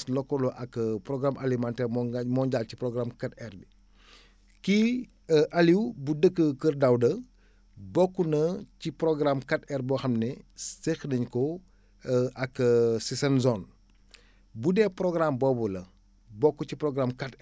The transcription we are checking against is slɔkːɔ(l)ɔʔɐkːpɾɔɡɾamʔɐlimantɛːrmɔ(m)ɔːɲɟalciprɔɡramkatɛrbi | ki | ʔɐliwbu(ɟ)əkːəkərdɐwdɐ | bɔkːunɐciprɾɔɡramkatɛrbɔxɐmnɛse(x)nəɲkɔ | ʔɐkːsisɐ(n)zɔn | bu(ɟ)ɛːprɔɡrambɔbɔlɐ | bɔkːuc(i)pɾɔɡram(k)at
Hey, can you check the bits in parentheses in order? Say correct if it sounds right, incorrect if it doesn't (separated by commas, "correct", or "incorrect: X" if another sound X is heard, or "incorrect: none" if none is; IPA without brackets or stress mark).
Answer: correct, correct, incorrect: d, correct, correct, incorrect: d, correct, correct